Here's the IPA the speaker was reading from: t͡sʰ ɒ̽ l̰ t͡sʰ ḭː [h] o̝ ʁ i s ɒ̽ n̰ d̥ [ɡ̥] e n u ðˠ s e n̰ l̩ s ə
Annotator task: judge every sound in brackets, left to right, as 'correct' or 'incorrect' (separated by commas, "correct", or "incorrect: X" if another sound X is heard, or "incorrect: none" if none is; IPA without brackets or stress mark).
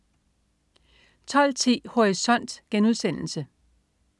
correct, correct